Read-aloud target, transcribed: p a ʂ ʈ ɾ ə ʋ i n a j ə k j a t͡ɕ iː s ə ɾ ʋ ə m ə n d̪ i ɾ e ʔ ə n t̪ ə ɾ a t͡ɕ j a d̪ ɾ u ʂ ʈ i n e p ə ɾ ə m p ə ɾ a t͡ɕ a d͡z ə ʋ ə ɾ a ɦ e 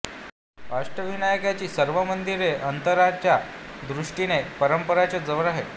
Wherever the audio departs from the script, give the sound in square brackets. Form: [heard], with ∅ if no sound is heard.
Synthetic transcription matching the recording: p a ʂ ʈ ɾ ə ʋ i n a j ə k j a t͡ɕ iː s ə ɾ ʋ ə m ə n d̪ i ɾ e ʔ ə n t̪ ə ɾ a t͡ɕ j a d̪ ɾ u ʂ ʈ i n e p ə ɾ ə m p ə ɾ a t͡ɕ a d͡z ə ʋ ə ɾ a ɦ e

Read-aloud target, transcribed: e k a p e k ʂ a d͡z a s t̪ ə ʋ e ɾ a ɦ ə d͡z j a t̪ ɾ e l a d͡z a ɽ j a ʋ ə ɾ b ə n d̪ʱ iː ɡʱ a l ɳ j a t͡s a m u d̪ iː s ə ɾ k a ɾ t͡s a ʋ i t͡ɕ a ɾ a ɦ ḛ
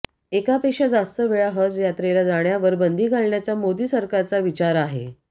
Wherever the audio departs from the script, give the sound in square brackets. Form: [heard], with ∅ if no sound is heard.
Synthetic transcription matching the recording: e k a p e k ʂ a d͡z a s t̪ ə ʋ e [ɭ] a ɦ ə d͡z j a t̪ ɾ e l a d͡z a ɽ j a ʋ ə ɾ b ə n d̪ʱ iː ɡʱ a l ɳ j a t͡s a m [o] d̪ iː s ə ɾ k a ɾ t͡s a ʋ i t͡ɕ a ɾ a ɦ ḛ

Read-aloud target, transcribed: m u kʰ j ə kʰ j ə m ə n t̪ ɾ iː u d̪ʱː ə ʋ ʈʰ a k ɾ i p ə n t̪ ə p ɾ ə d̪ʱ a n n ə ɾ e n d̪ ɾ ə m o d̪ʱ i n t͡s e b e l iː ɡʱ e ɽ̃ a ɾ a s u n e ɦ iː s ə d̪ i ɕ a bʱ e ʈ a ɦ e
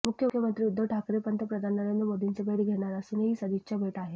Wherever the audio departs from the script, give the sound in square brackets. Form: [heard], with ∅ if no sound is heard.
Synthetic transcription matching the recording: m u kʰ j ə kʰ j ə m ə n t̪ ɾ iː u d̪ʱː ə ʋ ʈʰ a k ɾ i p ə n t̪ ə p ɾ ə d̪ʱ a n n ə ɾ e n d̪ ɾ ə m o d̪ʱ i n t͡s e b e [ɽ] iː ɡʱ e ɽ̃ a ɾ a s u n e ɦ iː s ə d̪ i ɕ a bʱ e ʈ a ɦ e

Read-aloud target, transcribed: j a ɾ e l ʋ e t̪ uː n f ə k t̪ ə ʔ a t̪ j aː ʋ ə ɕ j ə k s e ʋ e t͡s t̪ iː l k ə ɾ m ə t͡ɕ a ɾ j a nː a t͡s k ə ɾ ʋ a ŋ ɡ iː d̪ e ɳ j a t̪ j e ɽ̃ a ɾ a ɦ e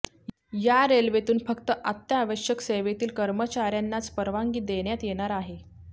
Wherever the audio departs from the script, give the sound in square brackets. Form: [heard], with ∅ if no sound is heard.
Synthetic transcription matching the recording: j a ɾ e l ʋ e t̪ uː n f ə k t̪ ə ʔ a t̪ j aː ʋ ə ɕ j ə k s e ʋ e [∅] t̪ iː l k ə ɾ m ə t͡ɕ a ɾ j a nː a t͡s [p] ə ɾ ʋ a ŋ ɡ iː d̪ e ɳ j a t̪ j e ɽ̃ a ɾ a ɦ e

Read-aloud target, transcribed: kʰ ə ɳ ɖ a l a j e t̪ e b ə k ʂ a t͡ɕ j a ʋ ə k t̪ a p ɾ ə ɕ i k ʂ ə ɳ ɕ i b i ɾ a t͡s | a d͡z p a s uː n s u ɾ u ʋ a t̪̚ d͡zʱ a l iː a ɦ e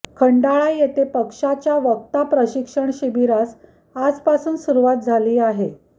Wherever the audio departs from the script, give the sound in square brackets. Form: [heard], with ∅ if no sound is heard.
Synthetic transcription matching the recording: kʰ ə ɳ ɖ a [ɭ] a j e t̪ e [p] ə k ʂ a t͡ɕ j a ʋ ə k t̪ a p ɾ ə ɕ i k ʂ ə ɳ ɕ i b i ɾ a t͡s | a d͡z p a s uː n s u ɾ u ʋ a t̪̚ d͡zʱ a l iː a ɦ e

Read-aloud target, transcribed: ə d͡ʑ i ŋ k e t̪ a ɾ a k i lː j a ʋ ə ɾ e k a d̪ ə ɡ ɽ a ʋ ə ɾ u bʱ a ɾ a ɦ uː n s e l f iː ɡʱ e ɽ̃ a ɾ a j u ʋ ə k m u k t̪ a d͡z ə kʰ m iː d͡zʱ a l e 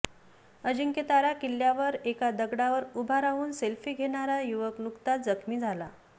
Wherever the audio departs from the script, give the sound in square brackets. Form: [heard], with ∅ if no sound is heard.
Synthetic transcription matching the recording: ə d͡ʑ i ŋ k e t̪ a ɾ a k i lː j a ʋ ə ɾ e k a d̪ ə ɡ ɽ a ʋ ə ɾ u bʱ a ɾ a ɦ uː n s e l f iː ɡʱ e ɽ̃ a ɾ a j u ʋ ə k [n] u k t̪ a d͡z ə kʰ m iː d͡zʱ a l [a]

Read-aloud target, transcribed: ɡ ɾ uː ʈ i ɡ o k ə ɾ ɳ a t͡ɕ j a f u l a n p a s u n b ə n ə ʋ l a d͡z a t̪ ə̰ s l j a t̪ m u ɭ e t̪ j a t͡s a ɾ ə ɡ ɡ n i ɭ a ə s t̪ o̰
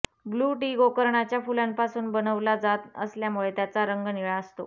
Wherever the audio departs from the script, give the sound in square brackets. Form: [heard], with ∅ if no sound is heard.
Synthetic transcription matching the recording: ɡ [l] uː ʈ i ɡ o k ə ɾ ɳ a t͡ɕ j a f u l a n p a s [uː] n b ə n ə ʋ l a d͡z a t̪ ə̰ s l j a [∅] m u ɭ e t̪ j a t͡s a ɾ ə [ŋ] ɡ n i ɭ a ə s t̪ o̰

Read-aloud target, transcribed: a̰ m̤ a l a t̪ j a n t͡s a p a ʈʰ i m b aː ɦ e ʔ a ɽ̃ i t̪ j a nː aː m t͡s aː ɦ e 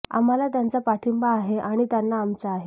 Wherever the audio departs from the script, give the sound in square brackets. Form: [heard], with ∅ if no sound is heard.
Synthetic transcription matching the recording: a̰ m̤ a l a t̪ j a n t͡s a p a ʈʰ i m b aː ɦ e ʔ a ɽ̃ i t̪ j a nː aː m t͡s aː ɦ e

